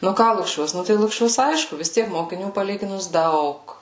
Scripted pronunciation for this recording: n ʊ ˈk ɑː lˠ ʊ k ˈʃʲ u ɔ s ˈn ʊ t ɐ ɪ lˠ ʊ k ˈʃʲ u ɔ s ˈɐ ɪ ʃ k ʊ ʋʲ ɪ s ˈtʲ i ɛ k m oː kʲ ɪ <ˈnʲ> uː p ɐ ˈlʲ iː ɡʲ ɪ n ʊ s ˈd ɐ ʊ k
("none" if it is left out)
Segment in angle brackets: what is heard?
nʲ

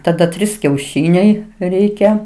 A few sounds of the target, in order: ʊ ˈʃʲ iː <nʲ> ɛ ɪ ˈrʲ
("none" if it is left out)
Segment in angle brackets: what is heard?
nʲ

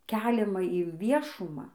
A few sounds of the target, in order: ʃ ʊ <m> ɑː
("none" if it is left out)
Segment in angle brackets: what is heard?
m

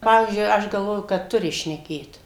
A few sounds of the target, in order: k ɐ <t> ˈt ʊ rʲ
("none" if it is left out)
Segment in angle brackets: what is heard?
t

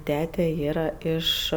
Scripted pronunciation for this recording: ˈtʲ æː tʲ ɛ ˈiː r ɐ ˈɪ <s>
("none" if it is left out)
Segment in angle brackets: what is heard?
ʃ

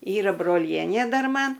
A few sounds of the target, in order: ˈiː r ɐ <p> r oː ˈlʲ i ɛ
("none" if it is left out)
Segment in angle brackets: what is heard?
b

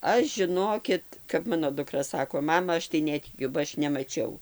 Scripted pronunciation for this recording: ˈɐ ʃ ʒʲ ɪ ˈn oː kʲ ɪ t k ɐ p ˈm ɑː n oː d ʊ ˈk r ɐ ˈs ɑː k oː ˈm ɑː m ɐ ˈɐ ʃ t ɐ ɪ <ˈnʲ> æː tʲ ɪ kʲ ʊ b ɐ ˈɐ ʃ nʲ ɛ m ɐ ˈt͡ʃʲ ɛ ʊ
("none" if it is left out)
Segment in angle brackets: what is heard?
nʲ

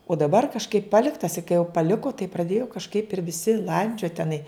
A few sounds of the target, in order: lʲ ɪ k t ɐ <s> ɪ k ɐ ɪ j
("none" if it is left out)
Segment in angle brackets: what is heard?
s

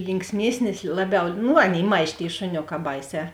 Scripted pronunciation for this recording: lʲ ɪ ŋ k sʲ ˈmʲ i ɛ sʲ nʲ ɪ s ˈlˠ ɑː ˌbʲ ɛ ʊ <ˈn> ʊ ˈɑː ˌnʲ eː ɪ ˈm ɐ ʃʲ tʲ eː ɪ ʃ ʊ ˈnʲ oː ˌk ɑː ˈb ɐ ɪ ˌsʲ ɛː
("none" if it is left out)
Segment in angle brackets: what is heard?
n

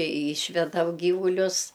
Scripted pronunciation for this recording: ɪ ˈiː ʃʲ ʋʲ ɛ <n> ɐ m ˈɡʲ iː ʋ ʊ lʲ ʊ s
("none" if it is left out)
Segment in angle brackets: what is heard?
d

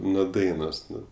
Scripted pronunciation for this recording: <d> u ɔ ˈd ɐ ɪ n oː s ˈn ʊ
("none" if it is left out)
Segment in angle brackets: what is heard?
n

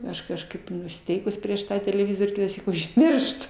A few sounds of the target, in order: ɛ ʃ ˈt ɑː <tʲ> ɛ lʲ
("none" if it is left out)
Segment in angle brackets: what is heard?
tʲ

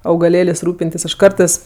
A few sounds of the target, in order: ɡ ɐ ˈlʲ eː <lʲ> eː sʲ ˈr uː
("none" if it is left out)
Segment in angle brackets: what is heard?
lʲ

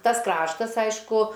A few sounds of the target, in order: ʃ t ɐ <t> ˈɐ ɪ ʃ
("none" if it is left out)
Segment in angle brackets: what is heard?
s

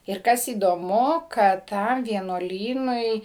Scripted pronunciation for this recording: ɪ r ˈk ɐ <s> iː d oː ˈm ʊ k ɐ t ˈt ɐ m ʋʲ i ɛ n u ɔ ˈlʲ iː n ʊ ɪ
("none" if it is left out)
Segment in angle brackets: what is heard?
s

